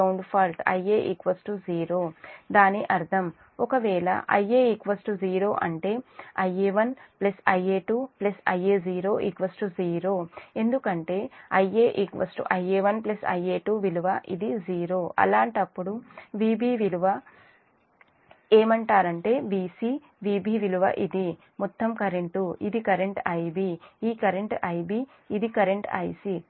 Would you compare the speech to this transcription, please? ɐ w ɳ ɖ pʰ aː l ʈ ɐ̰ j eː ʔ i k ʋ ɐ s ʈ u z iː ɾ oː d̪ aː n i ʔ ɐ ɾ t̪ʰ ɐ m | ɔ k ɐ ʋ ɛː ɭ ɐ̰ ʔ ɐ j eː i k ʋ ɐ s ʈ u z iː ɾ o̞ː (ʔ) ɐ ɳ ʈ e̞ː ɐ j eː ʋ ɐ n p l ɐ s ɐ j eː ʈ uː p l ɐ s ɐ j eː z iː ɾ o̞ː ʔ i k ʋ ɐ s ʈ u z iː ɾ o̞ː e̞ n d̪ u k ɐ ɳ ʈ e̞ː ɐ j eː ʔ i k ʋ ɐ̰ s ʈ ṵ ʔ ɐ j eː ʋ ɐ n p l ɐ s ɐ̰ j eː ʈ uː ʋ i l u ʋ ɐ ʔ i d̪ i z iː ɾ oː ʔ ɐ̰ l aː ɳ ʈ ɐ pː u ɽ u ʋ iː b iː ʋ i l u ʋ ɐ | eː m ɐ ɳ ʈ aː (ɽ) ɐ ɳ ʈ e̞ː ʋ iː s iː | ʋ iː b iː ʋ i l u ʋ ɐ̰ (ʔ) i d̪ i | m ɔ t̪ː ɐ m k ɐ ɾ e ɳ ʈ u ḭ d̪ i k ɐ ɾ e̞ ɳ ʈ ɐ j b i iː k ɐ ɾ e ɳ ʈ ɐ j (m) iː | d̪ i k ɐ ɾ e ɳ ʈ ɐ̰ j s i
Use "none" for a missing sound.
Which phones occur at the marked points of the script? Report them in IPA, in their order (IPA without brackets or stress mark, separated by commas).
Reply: ʔ, ɾ, ʔ, b